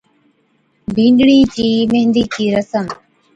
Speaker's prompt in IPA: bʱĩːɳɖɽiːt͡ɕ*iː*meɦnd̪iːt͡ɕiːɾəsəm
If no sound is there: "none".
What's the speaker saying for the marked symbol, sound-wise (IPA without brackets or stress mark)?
iː